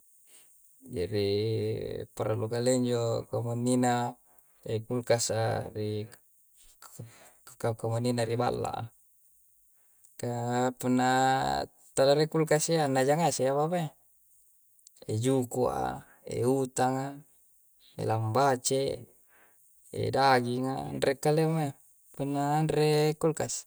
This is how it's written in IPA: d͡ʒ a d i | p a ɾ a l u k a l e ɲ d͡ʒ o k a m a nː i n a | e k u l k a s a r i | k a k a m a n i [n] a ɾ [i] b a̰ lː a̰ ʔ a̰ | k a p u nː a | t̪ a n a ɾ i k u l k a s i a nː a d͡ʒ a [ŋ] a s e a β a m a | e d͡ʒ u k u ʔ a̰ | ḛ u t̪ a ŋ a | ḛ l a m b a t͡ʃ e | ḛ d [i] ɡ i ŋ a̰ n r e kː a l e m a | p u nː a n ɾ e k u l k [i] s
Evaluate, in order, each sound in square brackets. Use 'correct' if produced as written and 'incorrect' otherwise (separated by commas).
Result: correct, correct, correct, incorrect, incorrect